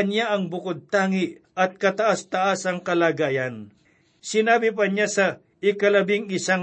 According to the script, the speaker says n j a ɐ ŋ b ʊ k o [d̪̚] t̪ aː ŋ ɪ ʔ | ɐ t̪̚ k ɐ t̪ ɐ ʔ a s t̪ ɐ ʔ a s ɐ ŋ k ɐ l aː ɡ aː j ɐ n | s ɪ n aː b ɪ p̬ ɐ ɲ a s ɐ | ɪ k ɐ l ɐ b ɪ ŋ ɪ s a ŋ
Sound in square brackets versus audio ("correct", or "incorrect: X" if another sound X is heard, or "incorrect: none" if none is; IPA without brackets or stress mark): correct